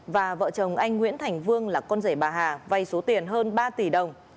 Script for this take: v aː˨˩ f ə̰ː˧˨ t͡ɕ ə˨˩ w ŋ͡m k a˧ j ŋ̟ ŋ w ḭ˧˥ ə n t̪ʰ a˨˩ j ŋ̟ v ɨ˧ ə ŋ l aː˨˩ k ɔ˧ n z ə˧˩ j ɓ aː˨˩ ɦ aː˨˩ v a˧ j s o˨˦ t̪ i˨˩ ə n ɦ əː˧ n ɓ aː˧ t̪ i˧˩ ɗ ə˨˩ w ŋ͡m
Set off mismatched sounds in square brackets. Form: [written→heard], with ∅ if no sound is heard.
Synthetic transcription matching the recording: v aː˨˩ [f→v] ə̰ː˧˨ t͡ɕ ə˨˩ w ŋ͡m [k→ʔ] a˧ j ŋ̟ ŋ w ḭ˧˥ ə n t̪ʰ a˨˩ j ŋ̟ v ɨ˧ ə ŋ l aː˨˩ k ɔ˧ n z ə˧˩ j ɓ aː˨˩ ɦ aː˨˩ v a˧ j s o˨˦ t̪ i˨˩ ə n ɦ əː˧ n ɓ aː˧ t̪ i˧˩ ɗ ə˨˩ w ŋ͡m